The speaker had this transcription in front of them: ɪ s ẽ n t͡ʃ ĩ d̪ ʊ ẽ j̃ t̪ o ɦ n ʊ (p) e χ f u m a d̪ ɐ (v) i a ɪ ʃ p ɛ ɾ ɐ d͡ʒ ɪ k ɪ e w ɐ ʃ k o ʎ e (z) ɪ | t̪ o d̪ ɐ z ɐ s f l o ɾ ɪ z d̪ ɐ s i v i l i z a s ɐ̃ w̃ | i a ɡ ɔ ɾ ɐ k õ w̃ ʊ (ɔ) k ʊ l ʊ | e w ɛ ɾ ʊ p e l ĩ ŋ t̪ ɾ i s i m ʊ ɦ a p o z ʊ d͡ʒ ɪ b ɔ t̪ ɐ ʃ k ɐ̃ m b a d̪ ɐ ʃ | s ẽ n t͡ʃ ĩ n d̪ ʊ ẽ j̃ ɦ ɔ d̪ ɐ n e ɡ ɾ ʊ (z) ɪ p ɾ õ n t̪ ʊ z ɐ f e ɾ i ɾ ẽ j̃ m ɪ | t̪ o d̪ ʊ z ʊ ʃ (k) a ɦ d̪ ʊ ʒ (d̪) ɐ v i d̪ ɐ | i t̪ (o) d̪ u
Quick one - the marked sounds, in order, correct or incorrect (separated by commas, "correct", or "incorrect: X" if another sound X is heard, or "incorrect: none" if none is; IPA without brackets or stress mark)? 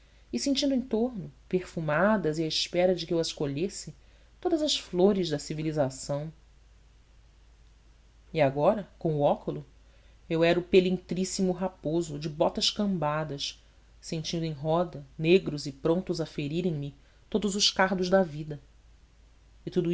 correct, incorrect: z, incorrect: s, correct, correct, correct, correct, incorrect: u